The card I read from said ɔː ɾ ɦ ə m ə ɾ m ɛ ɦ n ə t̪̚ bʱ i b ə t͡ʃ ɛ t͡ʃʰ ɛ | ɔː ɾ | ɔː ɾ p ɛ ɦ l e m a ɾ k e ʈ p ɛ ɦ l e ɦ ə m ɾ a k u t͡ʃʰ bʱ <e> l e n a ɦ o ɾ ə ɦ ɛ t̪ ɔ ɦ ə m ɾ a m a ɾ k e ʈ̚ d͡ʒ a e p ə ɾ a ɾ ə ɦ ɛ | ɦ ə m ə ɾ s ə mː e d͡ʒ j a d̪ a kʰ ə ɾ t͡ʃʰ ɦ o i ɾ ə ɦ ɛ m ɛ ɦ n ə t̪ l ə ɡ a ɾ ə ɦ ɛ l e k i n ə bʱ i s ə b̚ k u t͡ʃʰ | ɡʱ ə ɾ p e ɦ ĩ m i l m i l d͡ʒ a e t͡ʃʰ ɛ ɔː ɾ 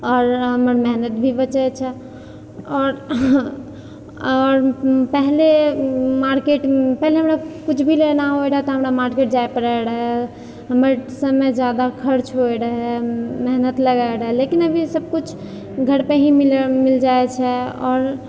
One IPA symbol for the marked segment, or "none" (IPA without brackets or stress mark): i